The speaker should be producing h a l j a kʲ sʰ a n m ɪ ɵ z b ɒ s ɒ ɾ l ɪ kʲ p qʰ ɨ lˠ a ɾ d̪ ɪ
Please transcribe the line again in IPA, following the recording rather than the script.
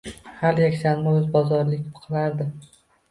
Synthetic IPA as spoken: h a l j a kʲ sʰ a n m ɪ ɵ z b ɒ z ɒ ɾ l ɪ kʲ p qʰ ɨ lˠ a ɾ d̪ ɪ